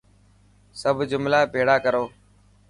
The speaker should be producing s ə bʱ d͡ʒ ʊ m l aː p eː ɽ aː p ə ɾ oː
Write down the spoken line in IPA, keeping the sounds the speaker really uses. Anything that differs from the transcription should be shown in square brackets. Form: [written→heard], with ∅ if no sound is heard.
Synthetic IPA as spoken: s ə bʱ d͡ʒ ʊ m l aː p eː ɽ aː [p→k] ə ɾ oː